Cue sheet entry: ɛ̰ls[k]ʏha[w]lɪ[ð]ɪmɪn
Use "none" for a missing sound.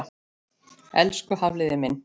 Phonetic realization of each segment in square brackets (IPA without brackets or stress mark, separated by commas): k, v, ð